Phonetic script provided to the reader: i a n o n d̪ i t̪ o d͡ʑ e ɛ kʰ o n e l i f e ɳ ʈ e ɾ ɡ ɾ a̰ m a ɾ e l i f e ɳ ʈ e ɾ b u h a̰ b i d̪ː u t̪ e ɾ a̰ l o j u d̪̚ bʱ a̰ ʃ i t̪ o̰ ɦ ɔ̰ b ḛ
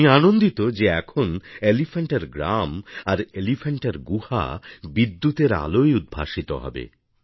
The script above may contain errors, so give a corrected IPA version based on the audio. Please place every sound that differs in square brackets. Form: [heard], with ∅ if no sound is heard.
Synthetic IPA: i a n o n d̪ i t̪ o d͡ʑ e ɛ kʰ o n e l i f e ɳ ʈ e ɾ ɡ ɾ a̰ m a ɾ e l i f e ɳ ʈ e ɾ [ɡ] u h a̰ b i d̪ː u t̪ e ɾ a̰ l o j u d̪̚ bʱ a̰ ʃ i t̪ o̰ ɦ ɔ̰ b ḛ